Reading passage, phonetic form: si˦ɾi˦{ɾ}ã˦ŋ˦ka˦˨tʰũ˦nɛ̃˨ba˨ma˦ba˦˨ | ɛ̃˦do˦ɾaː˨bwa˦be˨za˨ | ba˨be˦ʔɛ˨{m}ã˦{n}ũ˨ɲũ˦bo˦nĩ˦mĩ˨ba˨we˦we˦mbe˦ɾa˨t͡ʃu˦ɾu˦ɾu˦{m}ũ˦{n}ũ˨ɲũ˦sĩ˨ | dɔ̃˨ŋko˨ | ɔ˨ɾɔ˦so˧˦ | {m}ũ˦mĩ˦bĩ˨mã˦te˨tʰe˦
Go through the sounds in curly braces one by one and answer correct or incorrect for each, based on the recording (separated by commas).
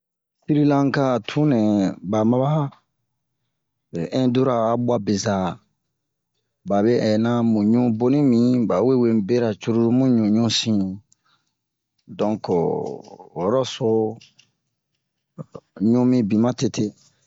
incorrect, incorrect, incorrect, correct, incorrect, incorrect